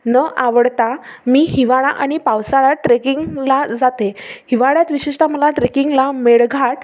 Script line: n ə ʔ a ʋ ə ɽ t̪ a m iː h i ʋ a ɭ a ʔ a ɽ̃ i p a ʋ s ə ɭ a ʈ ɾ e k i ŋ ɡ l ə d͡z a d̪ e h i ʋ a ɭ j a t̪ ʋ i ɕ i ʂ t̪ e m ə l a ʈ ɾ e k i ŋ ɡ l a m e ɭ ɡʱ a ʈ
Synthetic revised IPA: n ə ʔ a ʋ ə ɽ t̪ a m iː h i ʋ a ɭ a ʔ a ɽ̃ i p a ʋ s a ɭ a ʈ ɾ e k i ŋ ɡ l a d͡z a t̪ e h i ʋ a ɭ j a t̪ ʋ i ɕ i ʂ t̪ a m ə l a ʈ ɾ e k i ŋ ɡ l a m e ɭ ɡʱ a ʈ